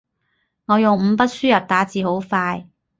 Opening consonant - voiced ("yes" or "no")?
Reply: yes